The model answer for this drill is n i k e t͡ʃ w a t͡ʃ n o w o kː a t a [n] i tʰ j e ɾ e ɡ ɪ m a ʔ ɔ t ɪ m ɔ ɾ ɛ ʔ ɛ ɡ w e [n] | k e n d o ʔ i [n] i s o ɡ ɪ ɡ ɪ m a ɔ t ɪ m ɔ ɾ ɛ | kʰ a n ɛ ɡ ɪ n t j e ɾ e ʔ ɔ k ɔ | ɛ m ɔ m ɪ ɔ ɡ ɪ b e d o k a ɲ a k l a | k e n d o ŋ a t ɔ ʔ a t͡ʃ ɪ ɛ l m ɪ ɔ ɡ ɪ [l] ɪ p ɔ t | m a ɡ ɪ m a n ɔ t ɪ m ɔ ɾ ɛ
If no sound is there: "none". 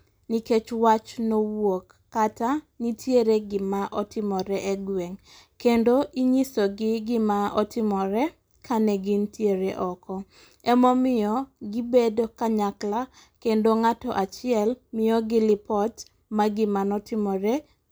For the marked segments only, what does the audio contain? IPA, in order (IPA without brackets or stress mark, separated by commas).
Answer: n, ŋ, ɲ, l